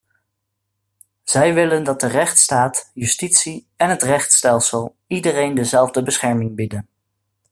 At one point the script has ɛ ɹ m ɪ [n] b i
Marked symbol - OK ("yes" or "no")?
no